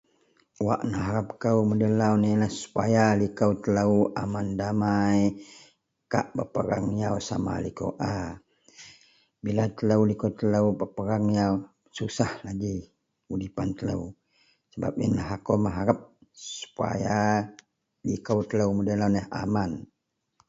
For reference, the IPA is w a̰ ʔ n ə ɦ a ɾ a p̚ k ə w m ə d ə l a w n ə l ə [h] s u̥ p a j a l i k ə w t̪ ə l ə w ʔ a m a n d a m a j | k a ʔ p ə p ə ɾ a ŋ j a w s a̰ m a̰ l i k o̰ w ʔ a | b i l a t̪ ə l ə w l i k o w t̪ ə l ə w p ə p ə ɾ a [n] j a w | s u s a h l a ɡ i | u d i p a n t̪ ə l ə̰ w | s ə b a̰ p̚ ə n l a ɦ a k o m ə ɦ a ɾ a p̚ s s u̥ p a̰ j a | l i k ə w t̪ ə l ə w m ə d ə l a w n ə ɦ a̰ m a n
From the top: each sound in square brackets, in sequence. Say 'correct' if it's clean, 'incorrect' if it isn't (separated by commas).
correct, incorrect